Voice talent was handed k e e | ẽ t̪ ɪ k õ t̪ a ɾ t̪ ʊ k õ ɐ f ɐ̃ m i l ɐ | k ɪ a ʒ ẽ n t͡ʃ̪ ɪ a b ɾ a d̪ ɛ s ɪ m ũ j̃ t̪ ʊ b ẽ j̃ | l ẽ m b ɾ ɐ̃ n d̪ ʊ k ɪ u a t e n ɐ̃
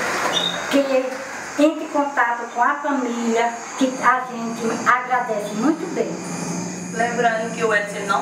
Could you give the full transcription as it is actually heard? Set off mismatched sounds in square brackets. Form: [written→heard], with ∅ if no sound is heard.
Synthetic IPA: k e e | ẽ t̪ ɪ k õ t̪ a [ɾ→∅] t̪ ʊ k õ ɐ f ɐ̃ m i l ɐ | k ɪ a ʒ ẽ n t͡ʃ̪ ɪ a [b→ɡ] ɾ a d̪ ɛ s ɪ m ũ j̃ t̪ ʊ b ẽ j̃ | l ẽ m b ɾ ɐ̃ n d̪ ʊ k ɪ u [a→ɛ] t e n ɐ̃